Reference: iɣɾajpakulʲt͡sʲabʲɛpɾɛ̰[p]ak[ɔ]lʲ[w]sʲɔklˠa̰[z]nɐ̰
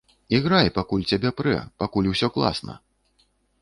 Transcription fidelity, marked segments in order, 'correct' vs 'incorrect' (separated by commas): correct, incorrect, correct, incorrect